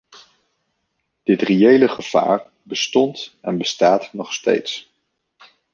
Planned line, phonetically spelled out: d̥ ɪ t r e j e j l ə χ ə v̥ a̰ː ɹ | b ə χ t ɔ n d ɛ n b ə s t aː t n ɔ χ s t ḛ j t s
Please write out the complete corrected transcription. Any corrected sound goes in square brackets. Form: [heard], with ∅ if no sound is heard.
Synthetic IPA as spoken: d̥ ɪ t r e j e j l ə χ ə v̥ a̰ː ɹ | b ə [s] t ɔ n [t] ɛ n b ə s t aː t n ɔ χ s t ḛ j t s